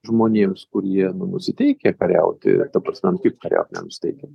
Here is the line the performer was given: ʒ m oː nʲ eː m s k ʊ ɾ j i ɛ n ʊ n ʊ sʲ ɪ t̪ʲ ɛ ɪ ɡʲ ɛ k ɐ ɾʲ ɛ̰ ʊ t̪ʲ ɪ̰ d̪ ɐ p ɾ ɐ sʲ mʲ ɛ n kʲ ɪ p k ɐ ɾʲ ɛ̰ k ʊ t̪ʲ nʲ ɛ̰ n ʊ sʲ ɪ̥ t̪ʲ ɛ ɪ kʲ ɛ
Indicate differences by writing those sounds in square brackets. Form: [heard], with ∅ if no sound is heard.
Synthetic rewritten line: ʒ m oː nʲ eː m s k ʊ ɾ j i ɛ n ʊ n ʊ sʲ ɪ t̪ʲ ɛ ɪ [kʲ] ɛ k ɐ ɾʲ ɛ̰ ʊ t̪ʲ ɪ̰ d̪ ɐ p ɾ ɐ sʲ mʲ ɛ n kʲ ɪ p k ɐ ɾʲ ɛ̰ [∅] ʊ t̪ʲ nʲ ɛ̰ n ʊ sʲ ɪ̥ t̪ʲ ɛ ɪ kʲ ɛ